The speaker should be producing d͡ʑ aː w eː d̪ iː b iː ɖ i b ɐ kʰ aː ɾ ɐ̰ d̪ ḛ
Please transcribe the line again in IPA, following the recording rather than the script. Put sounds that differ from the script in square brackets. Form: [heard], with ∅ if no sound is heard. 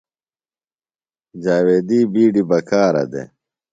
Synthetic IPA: d͡ʑ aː w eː d̪ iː b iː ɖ i b ɐ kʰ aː ɾ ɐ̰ d̪ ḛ